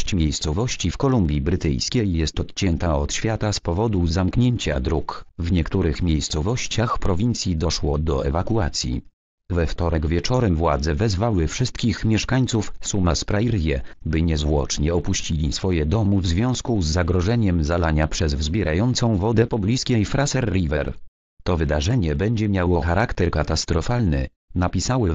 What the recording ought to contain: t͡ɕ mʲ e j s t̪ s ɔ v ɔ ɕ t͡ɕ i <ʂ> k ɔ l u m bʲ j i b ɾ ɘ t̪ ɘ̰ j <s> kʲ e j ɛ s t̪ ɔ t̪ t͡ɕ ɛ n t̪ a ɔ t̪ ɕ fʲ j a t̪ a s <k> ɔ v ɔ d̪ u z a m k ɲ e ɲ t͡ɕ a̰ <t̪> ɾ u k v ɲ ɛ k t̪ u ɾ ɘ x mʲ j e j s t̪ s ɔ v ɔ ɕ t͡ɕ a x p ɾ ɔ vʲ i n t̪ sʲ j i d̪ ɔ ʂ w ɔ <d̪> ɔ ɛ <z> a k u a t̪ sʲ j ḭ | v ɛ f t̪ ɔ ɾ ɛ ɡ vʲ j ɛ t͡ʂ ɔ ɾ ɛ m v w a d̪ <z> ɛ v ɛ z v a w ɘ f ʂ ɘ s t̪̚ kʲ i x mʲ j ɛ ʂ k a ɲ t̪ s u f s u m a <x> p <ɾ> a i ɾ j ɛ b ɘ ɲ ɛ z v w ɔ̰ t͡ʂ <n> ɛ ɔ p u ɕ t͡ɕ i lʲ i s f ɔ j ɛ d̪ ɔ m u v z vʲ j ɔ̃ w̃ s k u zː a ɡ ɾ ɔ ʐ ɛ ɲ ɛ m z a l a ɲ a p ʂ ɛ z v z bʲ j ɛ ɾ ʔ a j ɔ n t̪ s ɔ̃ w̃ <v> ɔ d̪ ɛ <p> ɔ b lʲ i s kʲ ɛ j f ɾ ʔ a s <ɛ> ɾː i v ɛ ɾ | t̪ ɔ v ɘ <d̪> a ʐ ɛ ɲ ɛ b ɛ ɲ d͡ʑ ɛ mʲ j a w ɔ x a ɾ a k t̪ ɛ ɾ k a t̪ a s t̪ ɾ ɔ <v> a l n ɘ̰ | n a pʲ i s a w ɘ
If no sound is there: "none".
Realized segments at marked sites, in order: f, s, p, d̪, d̪, v, z, s, ɾ, ɲ, v, p, ɛ, d̪, f

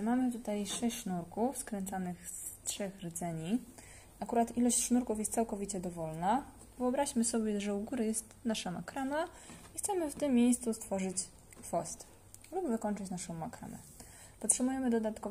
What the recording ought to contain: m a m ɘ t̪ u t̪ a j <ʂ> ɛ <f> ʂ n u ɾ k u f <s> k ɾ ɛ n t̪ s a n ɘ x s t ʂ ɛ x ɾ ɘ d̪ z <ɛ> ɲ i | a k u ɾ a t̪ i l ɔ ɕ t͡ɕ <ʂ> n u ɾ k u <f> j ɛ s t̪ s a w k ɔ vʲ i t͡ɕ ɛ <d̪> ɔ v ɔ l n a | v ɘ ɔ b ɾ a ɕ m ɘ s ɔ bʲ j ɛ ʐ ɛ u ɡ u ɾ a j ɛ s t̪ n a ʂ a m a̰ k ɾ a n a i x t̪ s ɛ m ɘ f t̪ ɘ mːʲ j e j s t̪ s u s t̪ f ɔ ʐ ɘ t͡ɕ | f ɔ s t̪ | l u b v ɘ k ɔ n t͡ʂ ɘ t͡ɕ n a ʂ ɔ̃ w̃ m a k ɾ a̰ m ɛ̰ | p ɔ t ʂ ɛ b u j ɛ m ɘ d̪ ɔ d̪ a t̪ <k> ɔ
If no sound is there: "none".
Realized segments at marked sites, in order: ʂ, ɕ, s, ɛ, ʂ, f, d̪, k

